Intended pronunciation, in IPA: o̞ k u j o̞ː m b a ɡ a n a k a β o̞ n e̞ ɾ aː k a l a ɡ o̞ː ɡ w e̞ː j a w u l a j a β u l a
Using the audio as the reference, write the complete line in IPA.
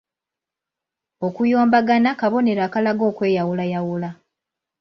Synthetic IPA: o̞ k u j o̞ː m b a ɡ a n a k a β o̞ n e̞ ɾ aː k a l a ɡ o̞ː k w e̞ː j a w u l a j a w u l a